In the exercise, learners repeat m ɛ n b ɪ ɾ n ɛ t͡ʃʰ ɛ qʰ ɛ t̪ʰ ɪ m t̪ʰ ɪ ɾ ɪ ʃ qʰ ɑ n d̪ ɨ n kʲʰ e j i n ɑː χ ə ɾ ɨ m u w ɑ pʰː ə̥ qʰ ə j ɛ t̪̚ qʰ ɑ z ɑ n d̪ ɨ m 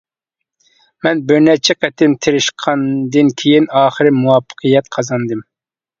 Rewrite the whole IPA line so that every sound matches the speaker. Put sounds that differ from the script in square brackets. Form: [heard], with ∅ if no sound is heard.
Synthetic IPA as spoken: m ɛ n b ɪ ɾ n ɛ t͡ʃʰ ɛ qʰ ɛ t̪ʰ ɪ m t̪ʰ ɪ ɾ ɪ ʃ qʰ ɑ n d̪ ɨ n kʲʰ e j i n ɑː χ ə ɾ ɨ m u w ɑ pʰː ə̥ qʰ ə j ɛ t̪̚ qʰ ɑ z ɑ n d̪ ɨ m